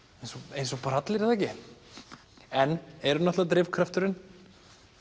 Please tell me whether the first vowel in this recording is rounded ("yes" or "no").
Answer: no